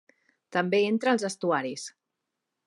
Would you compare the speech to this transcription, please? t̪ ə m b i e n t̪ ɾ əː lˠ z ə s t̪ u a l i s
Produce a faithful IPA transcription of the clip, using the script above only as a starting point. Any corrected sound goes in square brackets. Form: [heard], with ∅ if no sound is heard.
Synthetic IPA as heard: t̪ ə m b [e] e n t̪ ɾ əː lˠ z ə s t̪ u a [ɾ] i s